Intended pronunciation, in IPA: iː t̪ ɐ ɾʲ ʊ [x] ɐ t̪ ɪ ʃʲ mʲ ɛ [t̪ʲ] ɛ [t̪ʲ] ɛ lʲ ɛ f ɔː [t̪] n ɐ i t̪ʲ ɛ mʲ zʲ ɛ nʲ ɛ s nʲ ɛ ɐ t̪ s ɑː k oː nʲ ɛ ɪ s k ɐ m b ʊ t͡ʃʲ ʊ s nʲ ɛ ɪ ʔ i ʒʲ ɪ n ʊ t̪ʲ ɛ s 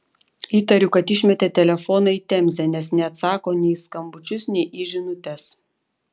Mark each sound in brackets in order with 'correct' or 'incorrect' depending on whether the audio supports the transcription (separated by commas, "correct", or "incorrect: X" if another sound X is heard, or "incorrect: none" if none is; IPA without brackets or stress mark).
incorrect: k, correct, correct, incorrect: none